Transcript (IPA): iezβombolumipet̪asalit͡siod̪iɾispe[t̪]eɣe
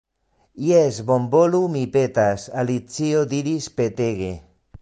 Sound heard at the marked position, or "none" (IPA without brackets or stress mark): t̪